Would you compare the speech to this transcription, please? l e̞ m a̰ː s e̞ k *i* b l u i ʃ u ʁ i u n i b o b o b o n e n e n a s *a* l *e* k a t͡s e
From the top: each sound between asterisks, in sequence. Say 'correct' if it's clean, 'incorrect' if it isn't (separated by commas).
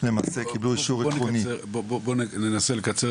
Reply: correct, incorrect, correct